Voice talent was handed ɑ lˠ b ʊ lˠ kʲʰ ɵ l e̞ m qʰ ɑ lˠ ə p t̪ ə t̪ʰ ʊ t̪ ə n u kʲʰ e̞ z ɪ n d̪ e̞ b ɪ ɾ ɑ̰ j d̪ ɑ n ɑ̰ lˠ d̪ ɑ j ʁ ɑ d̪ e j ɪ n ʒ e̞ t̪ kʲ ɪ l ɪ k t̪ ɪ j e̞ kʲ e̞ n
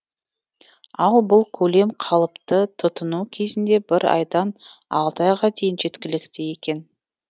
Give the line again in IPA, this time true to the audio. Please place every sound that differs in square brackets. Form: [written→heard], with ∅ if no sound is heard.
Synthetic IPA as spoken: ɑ lˠ b ʊ lˠ kʲʰ ɵ l e̞ m qʰ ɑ lˠ ə p t̪ ə t̪ʰ ʊ t̪ ə n u kʲʰ e̞ z ɪ n d̪ e̞ b ɪ ɾ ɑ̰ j d̪ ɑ n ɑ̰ lˠ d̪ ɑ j ʁ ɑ d̪ e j ɪ n ʒ e̞ t̪ kʲ ɪ l ɪ k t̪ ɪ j e̞ kʲ e̞ n